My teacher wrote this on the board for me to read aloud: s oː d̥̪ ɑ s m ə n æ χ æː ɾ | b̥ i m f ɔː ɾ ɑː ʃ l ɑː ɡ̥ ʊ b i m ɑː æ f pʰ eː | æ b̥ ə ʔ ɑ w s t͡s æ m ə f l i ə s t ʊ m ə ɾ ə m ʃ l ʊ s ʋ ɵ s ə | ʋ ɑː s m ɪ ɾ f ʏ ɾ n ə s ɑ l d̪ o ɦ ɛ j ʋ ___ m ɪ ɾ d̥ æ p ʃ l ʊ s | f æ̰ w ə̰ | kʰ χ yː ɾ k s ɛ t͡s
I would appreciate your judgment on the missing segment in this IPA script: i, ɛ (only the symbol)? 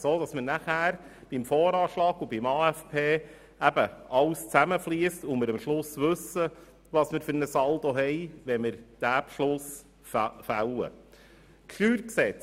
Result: ɛ